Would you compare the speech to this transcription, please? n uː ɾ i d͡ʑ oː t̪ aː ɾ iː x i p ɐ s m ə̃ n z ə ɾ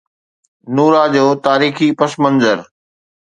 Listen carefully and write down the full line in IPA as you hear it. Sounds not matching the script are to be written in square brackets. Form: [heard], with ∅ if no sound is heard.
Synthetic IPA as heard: n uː ɾ [a] d͡ʑ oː t̪ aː ɾ iː x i p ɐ s m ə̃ n z ə ɾ

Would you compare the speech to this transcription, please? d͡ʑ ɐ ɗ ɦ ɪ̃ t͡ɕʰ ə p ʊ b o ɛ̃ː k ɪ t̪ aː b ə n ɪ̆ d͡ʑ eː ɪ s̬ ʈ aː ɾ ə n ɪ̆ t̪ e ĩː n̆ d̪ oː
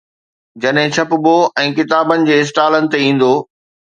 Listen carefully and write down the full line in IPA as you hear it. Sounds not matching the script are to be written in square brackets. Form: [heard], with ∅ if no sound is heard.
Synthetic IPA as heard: d͡ʑ ɐ ɗ ɦ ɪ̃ t͡ɕʰ [ɐ] p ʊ b o ɛ̃ː k ɪ t̪ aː b ə n ɪ̆ d͡ʑ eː ɪ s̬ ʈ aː [l] ə n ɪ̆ t̪ e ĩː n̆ d̪ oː

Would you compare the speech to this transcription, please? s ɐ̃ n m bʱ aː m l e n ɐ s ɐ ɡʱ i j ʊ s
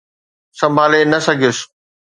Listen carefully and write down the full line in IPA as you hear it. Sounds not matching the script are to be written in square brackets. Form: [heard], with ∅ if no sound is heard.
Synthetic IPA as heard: s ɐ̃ [∅] m bʱ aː [∅] l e n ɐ s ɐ ɡʱ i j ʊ s

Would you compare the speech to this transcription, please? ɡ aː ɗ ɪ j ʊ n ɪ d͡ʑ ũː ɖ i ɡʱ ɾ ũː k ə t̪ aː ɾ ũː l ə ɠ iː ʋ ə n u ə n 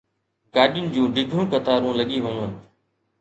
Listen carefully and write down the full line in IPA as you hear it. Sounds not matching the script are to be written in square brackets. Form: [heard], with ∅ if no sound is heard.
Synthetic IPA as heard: ɡ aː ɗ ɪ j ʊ n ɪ d͡ʑ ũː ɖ [ɪ] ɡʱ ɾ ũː k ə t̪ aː ɾ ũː l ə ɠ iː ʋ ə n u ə n

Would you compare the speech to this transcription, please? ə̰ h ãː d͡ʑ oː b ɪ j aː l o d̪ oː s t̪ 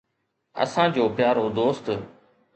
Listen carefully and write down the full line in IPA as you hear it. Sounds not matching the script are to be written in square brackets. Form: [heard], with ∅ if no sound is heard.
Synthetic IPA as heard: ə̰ [s] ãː d͡ʑ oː [p] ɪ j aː [ɾ] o d̪ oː s t̪

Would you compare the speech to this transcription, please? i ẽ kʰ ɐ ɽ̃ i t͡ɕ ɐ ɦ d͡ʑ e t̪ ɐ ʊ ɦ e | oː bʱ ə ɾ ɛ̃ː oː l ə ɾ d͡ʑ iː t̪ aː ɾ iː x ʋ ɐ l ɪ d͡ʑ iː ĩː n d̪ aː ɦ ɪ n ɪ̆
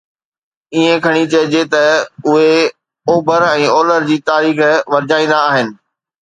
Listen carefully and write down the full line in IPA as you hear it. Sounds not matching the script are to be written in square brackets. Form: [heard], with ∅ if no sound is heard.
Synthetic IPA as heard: i ẽ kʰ ɐ ɽ̃ i t͡ɕ ɐ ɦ d͡ʑ e t̪ ɐ ʊ ɦ e | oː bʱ ə ɾ ɛ̃ː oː l ə ɾ d͡ʑ iː t̪ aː ɾ iː x ʋ ɐ [ɾ] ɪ d͡ʑ [aː] ĩː n d̪ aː ɦ ɪ n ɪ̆

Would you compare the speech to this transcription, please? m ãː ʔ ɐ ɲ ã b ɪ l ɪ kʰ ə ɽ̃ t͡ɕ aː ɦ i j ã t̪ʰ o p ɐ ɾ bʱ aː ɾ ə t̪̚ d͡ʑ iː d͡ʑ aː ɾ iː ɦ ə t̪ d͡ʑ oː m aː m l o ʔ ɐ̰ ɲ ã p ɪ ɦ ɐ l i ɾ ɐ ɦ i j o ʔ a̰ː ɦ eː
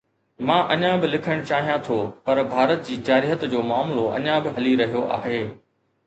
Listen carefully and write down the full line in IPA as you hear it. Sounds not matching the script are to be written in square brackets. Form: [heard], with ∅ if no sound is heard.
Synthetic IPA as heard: m ãː ʔ ɐ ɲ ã b ɪ l ɪ kʰ ə ɽ̃ t͡ɕ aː ɦ i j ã t̪ʰ o p ɐ ɾ bʱ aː ɾ ə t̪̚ d͡ʑ iː d͡ʑ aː ɾ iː ɦ ə t̪ d͡ʑ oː m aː m l o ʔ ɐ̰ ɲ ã [b] ɪ ɦ ɐ l i ɾ ɐ ɦ i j o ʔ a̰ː ɦ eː

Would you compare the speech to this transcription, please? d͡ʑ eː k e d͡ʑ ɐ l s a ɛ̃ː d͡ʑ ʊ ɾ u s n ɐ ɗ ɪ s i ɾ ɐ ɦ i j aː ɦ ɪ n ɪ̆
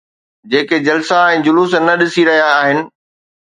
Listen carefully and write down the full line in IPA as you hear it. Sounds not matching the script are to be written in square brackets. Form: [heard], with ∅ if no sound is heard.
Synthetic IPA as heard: d͡ʑ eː k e d͡ʑ ɐ l s a ɛ̃ː d͡ʑ ʊ [l] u s n ɐ ɗ ɪ s i ɾ ɐ ɦ i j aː ɦ ɪ n ɪ̆

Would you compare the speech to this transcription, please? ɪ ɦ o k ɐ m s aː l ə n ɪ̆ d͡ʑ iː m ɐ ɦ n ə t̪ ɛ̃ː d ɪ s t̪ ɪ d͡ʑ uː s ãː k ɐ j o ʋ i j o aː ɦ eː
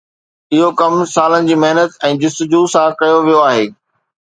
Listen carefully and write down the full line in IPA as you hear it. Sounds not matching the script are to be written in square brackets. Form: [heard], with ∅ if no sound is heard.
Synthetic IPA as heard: ɪ ɦ o k ɐ m s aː l ə n ɪ̆ d͡ʑ iː m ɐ ɦ n ə t̪ ɛ̃ː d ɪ s t̪ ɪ d͡ʑ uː s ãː k ɐ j o ʋ i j o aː ɦ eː

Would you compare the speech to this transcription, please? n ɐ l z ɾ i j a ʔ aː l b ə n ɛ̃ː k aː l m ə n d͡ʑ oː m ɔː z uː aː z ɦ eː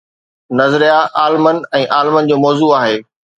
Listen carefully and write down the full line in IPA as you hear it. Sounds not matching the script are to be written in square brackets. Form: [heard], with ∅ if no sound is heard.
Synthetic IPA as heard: n ɐ [∅] z ɾ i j a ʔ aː l [m] ə n ɛ̃ː [ʔ] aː l m ə n d͡ʑ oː m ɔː z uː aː [∅] ɦ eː

